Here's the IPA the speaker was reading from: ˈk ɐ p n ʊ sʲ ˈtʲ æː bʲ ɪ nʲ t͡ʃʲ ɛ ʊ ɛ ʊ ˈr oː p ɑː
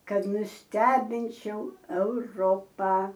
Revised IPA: ˈk ɐ t n ʊ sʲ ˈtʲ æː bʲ ɪ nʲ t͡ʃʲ ɛ ʊ ɛ ʊ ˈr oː p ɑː